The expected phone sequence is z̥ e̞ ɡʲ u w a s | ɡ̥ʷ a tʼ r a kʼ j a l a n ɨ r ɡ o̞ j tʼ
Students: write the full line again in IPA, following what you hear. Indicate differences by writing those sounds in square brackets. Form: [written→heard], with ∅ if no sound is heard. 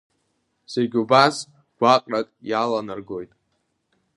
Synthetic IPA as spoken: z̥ e̞ ɡʲ u [w→b] a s | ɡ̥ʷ a [tʼ→qʼ] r a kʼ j a l a n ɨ r ɡ o̞ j tʼ